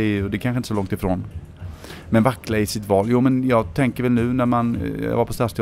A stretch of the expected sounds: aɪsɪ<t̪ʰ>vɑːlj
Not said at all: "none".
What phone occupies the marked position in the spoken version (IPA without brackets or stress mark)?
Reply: t̪